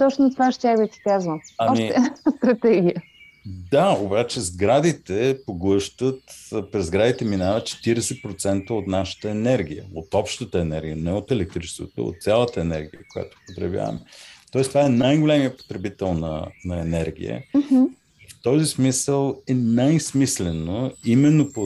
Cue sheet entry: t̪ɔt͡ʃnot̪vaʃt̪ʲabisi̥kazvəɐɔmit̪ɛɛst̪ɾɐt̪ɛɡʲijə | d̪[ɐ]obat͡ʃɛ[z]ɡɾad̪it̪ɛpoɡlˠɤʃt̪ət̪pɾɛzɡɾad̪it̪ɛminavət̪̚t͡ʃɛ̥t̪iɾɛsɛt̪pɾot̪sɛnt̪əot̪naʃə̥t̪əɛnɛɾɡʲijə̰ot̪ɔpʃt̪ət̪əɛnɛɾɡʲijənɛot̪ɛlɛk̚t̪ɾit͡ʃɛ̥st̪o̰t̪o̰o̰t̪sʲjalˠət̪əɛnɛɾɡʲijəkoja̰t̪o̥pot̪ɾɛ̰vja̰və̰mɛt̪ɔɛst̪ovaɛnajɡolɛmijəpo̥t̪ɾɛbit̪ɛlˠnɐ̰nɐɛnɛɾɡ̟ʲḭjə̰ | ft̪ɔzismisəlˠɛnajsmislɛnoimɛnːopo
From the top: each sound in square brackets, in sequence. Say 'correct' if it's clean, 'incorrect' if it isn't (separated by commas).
incorrect, correct